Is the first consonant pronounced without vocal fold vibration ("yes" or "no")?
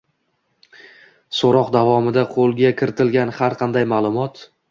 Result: yes